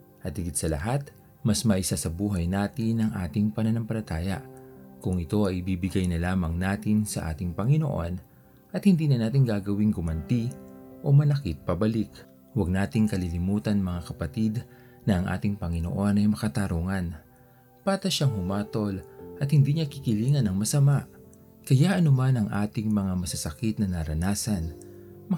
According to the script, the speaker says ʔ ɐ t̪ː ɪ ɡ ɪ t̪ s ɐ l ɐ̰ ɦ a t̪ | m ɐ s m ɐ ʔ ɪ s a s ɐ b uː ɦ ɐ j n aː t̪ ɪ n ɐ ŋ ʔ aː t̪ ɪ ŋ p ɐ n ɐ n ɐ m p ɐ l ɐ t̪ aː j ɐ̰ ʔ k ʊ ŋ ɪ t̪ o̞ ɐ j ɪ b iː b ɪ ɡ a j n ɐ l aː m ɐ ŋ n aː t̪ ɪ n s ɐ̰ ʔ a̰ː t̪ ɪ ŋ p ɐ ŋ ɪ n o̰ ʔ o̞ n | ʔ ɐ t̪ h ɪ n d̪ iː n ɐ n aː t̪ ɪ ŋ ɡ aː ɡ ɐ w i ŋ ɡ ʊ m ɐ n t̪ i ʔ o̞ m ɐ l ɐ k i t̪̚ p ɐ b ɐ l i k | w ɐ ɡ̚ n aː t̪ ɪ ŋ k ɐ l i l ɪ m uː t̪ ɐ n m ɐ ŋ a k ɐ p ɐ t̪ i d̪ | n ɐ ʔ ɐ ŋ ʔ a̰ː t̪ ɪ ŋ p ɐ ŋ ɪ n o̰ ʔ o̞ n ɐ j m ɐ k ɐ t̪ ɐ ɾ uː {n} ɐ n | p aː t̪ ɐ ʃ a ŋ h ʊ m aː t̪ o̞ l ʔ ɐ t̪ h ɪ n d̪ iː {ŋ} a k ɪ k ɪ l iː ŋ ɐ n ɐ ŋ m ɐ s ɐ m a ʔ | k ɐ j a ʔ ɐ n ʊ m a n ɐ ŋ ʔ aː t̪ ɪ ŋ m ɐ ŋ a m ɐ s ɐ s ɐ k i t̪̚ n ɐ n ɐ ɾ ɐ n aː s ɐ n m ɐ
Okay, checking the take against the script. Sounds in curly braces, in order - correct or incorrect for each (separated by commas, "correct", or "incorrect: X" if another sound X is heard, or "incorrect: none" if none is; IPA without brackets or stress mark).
incorrect: ŋ, incorrect: ɲ